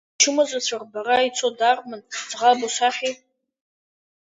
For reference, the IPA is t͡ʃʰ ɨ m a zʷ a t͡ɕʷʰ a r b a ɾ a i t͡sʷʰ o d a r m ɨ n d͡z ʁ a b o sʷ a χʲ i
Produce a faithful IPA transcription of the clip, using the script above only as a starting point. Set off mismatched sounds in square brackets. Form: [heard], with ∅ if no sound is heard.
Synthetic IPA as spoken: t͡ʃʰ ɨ m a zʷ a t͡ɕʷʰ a r b a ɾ a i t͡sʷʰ o d a r m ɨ n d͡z ʁ a b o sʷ a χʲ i